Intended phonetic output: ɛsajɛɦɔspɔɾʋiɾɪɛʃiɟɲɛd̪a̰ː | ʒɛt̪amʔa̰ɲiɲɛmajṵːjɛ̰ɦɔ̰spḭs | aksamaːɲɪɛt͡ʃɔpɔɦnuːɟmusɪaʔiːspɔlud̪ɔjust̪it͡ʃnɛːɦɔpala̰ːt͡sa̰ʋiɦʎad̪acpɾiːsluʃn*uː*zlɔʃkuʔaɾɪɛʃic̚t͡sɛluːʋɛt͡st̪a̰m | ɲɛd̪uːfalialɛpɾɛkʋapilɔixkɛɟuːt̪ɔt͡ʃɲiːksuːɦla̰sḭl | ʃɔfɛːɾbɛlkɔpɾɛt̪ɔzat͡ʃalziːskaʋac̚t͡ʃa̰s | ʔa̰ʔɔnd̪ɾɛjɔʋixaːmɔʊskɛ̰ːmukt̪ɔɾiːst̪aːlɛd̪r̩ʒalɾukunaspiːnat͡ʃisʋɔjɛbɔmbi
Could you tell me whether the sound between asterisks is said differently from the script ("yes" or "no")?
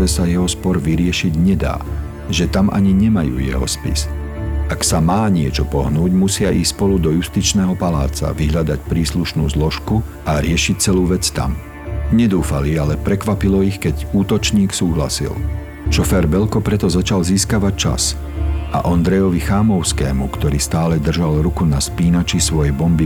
no